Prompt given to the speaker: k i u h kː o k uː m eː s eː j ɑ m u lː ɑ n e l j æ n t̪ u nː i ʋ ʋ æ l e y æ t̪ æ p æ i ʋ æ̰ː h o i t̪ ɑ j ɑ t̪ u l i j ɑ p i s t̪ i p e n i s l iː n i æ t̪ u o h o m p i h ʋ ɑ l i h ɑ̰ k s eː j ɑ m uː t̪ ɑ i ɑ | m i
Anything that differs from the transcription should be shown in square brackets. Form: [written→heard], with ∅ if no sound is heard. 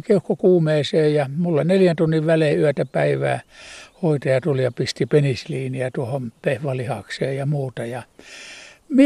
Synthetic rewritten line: k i u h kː o k uː m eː s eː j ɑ m u lː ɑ n e l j æ n t̪ u nː i ʋ ʋ æ l e y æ t̪ æ p æ i ʋ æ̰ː h o i t̪ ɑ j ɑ t̪ u l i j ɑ p i s t̪ i p e n i s l iː n i æ t̪ u o h o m p [i→e] h ʋ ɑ l i h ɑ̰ k s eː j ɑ m uː t̪ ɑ [i→j] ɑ | m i